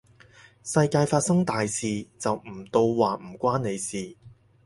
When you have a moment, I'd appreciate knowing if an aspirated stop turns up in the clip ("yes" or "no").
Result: no